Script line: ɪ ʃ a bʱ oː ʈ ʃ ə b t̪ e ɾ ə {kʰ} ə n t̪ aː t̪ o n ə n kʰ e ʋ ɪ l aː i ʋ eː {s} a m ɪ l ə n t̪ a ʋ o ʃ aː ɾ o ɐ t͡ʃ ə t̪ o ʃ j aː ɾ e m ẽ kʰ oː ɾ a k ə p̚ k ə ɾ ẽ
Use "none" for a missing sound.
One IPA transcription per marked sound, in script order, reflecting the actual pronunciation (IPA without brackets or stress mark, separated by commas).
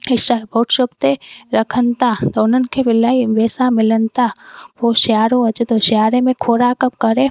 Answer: kʰ, s